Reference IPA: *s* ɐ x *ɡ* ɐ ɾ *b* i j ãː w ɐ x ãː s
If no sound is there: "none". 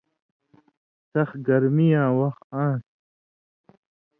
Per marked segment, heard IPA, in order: s, ɡ, m

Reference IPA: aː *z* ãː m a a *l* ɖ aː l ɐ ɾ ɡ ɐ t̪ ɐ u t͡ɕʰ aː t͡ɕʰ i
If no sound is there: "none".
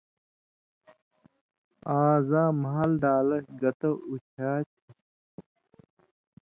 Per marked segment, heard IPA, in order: z, l

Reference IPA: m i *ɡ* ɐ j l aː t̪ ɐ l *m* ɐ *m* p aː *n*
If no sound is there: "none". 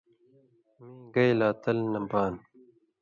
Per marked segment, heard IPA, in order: ɡ, n, m, n

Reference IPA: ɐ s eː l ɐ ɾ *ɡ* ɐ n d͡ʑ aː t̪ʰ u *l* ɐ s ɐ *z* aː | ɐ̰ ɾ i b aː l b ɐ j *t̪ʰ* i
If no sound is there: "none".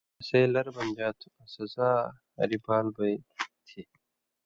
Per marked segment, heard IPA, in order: b, none, z, t̪ʰ

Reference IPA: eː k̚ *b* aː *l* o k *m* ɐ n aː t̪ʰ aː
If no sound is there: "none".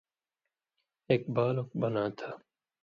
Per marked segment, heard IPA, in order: b, l, b

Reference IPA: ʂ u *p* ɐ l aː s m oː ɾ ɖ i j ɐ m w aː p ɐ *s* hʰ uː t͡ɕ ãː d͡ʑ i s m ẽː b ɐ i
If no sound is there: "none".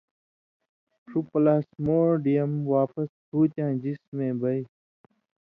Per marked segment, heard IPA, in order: p, s

